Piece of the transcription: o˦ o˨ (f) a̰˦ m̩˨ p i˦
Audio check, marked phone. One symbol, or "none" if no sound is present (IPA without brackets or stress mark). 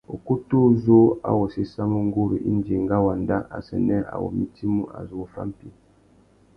f